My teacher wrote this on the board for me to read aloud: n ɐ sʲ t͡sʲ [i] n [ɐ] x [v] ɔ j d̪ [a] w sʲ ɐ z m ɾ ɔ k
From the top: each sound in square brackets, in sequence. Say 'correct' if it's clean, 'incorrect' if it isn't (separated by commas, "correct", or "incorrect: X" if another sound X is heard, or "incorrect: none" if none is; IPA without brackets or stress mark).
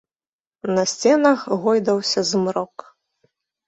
incorrect: ɛ, correct, incorrect: ɣ, incorrect: ɐ